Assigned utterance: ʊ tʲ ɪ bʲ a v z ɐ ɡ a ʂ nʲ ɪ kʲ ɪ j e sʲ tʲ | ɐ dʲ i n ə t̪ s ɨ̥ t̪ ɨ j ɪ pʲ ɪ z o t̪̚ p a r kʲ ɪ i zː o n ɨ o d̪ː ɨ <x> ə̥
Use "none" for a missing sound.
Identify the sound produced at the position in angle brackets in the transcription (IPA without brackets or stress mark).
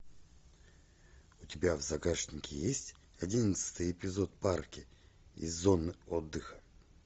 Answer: x